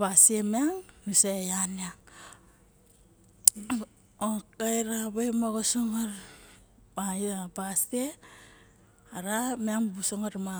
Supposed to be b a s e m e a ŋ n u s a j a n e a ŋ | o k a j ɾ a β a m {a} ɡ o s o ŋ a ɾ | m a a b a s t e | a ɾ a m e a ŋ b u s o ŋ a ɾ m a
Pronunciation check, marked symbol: correct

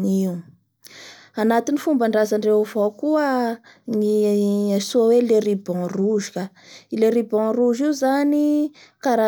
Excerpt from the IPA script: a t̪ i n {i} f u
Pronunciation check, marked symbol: correct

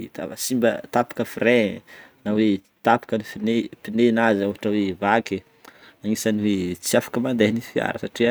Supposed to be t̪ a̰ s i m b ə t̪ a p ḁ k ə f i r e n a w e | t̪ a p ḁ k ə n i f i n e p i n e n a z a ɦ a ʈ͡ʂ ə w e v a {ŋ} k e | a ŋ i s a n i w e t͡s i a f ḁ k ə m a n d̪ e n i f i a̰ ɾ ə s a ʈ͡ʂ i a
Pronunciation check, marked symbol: incorrect: none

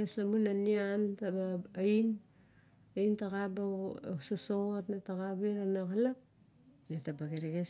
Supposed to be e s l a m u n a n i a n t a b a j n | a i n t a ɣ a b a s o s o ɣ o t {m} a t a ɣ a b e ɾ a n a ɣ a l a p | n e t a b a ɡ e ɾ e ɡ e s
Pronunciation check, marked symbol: incorrect: n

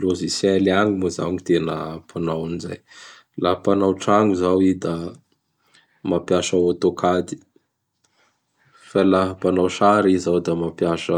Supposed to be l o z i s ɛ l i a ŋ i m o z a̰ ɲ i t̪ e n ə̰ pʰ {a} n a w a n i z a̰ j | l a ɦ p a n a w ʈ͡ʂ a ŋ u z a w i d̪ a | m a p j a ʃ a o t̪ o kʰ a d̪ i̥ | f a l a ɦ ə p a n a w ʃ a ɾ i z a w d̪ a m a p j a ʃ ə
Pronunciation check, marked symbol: correct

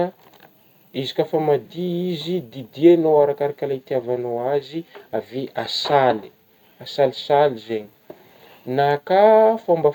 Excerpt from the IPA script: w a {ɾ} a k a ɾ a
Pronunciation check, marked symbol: correct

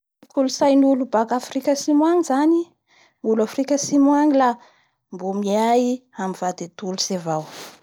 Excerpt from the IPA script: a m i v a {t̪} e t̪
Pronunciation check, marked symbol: incorrect: d̪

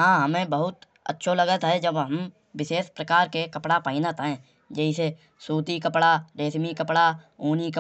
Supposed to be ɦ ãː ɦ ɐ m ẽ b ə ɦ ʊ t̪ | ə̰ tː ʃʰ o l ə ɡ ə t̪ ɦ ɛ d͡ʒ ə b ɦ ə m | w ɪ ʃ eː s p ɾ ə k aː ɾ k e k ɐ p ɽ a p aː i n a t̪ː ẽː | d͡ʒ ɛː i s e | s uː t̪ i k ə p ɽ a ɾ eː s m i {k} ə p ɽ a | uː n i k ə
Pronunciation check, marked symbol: correct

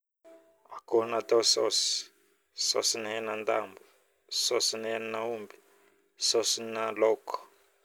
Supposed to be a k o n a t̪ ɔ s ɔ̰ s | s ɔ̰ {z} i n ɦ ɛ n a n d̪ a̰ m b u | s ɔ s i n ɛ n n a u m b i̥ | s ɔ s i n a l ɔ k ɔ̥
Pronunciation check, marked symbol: incorrect: s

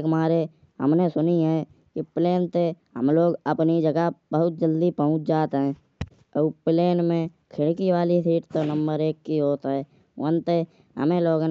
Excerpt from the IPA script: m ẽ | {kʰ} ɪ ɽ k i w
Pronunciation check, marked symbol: correct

